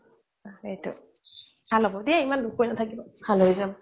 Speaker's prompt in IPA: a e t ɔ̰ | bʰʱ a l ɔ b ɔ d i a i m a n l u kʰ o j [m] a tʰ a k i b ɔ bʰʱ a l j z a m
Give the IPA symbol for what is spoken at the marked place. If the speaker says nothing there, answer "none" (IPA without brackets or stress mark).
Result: n